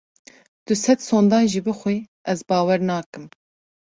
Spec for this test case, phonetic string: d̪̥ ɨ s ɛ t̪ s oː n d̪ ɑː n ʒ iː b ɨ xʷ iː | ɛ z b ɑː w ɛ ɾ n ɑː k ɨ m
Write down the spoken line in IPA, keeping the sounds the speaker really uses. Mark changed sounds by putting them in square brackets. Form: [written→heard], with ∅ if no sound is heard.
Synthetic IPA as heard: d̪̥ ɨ s ɛ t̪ s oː n d̪ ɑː n ʒ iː b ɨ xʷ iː | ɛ z b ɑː w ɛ ɾ n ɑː k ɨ m